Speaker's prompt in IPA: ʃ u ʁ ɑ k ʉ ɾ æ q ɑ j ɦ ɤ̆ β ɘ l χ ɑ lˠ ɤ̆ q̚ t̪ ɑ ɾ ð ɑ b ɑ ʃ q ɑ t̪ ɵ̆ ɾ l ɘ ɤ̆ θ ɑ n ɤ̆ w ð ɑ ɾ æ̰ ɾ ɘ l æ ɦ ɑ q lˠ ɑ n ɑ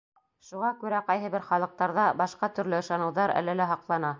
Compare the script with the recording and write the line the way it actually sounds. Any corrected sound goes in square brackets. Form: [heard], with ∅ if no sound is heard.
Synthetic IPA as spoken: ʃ u ʁ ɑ k ʉ ɾ æ q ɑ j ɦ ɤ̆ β ɘ [ɾ] χ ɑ lˠ ɤ̆ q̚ t̪ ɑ ɾ ð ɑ b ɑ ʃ q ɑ t̪ ɵ̆ ɾ l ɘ ɤ̆ [ʃ] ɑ n ɤ̆ w ð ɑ ɾ æ̰ [l] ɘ l æ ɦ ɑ q lˠ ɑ n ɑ